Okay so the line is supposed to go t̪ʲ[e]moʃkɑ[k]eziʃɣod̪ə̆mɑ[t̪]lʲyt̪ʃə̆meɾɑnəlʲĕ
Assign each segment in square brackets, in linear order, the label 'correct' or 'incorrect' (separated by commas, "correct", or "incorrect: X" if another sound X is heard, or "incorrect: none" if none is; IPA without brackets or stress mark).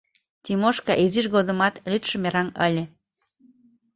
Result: incorrect: i, incorrect: ʔ, correct